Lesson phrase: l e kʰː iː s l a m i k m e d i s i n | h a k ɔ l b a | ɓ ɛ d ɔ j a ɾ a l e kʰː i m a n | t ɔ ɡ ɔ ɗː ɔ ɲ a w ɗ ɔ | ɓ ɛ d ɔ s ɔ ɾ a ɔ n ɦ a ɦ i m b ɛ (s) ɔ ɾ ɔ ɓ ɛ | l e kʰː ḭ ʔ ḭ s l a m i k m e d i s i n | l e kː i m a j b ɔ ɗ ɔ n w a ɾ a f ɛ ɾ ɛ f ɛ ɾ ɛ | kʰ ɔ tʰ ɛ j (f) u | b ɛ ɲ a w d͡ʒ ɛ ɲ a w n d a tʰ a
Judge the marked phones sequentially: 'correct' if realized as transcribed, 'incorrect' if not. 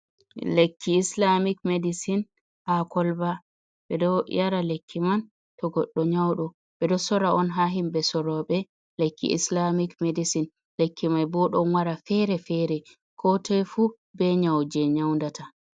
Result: correct, correct

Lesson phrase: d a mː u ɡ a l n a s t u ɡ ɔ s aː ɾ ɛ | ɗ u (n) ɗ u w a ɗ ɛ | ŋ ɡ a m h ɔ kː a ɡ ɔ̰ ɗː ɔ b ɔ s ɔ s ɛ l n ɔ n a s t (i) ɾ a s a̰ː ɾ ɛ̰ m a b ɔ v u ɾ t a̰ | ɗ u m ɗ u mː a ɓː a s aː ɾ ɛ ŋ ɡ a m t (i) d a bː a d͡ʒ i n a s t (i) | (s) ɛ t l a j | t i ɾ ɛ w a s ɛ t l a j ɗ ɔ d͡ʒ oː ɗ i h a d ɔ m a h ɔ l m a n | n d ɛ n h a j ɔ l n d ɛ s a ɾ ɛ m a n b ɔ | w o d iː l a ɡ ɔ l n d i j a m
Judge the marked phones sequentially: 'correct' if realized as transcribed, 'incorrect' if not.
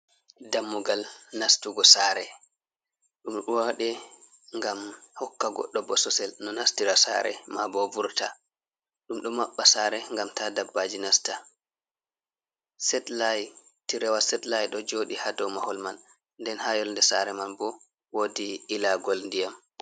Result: incorrect, correct, incorrect, incorrect, correct

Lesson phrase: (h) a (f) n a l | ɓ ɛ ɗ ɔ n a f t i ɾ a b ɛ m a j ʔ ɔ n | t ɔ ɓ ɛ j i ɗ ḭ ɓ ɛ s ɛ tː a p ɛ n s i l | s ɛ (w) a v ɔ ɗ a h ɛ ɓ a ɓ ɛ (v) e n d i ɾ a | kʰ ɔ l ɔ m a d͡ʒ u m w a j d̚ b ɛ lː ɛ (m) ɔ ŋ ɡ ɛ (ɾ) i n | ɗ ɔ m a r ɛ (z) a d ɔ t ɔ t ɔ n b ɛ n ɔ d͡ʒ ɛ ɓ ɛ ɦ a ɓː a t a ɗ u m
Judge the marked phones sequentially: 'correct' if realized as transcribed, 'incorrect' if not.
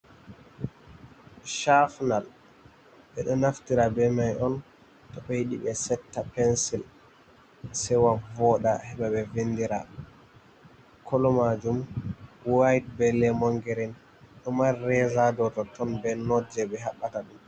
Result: incorrect, correct, correct, correct, correct, correct, correct

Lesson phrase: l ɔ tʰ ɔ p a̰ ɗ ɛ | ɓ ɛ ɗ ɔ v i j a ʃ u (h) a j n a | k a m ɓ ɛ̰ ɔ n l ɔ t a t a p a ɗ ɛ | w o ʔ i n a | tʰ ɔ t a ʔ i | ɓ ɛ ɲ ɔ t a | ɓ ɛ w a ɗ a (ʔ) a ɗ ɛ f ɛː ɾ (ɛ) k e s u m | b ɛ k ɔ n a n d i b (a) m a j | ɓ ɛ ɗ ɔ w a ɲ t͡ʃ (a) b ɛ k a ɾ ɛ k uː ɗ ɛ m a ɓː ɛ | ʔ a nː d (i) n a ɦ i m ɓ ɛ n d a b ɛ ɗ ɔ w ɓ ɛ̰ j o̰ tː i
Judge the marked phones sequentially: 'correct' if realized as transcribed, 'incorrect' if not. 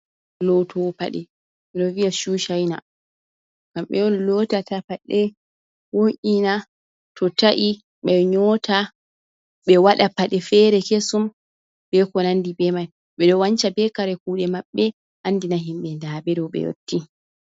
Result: incorrect, incorrect, correct, incorrect, correct, correct

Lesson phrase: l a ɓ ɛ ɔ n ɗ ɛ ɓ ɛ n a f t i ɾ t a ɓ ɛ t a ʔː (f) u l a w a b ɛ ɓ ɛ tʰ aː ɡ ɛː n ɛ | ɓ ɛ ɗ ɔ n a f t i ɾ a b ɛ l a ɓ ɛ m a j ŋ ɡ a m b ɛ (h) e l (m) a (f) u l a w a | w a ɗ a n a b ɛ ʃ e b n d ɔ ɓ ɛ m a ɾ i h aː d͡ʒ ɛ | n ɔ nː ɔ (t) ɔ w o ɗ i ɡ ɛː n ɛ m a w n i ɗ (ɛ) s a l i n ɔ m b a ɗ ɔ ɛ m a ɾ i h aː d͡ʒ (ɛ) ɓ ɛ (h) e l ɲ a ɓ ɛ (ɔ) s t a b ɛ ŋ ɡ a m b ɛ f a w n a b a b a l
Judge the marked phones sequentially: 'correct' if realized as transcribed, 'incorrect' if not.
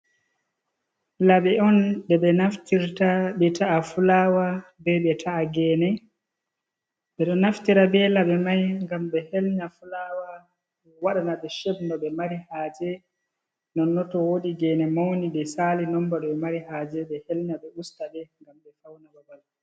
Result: correct, correct, incorrect, correct, correct, correct, correct, correct, incorrect

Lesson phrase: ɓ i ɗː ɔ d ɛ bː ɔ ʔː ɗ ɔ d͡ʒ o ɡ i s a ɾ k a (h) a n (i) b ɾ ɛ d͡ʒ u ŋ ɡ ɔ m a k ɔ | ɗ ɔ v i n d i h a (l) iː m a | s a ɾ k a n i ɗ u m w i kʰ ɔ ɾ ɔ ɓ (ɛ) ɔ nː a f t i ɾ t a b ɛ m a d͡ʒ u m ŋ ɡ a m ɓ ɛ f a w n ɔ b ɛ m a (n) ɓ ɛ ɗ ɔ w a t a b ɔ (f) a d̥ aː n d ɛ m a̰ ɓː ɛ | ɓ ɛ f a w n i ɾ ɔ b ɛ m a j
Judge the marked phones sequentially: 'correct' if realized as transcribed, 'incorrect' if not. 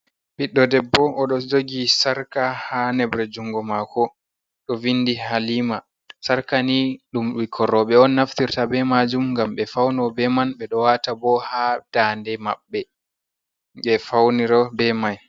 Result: correct, incorrect, correct, correct, correct, incorrect

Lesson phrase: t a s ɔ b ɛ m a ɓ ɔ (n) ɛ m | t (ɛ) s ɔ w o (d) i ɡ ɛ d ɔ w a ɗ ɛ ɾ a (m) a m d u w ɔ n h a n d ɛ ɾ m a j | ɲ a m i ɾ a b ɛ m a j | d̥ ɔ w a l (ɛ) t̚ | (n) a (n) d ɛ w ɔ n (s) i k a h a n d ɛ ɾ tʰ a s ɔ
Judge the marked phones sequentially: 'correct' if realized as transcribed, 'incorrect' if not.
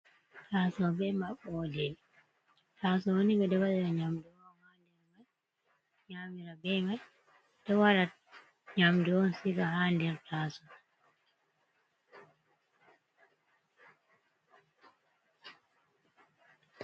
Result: incorrect, incorrect, incorrect, incorrect, incorrect, incorrect, incorrect, correct

